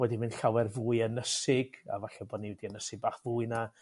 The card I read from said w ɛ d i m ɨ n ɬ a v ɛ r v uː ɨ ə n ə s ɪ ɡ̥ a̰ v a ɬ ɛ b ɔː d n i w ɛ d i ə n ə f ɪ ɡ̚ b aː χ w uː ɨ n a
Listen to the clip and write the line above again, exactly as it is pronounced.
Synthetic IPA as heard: w ɛ d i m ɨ n ɬ a w ɛ r v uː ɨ ə n ə s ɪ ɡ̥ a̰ v a ɬ ɛ b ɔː d n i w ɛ d i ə n ə s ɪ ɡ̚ b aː χ v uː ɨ n a